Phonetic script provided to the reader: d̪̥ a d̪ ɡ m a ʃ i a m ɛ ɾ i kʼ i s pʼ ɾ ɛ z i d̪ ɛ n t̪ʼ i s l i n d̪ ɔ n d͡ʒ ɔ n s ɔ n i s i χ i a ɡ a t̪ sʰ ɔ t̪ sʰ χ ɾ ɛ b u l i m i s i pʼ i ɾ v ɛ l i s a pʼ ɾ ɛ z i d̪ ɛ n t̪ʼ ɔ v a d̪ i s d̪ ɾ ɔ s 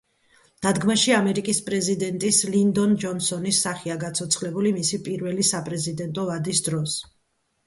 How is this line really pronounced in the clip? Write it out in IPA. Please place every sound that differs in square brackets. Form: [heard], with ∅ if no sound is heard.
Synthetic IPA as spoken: d̪̥ a d̪ ɡ m a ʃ i a m ɛ ɾ i kʼ i s pʼ ɾ ɛ z i d̪ ɛ n t̪ʼ i s l i n d̪ ɔ n d͡ʒ ɔ n s ɔ n i s [a] χ i a ɡ a t̪ sʰ ɔ t̪ sʰ χ [l] ɛ b u l i m i s i pʼ i ɾ v ɛ l i s a pʼ ɾ ɛ z i d̪ ɛ n t̪ʼ ɔ v a d̪ i s d̪ ɾ ɔ s